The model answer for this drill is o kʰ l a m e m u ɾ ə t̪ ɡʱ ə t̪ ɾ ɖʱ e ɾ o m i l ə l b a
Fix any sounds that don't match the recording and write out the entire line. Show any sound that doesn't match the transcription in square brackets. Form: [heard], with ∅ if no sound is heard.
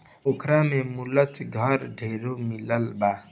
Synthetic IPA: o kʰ [ɾ] a m e m u [l] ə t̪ ɡʱ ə [∅] ɾ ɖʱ e ɾ o m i l ə l b a